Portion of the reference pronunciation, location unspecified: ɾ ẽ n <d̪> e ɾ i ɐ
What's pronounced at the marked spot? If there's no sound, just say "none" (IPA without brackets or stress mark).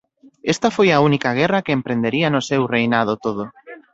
d̪